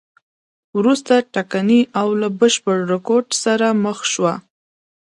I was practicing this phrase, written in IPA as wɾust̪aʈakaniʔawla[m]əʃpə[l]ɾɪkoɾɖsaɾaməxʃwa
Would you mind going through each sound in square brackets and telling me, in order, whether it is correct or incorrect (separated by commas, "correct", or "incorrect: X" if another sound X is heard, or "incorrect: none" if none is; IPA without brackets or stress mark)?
incorrect: b, incorrect: ɽ